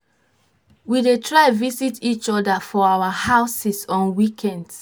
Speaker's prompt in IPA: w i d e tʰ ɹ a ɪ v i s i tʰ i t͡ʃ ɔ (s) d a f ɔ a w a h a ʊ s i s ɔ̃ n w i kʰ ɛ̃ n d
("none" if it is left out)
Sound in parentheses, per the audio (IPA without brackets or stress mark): none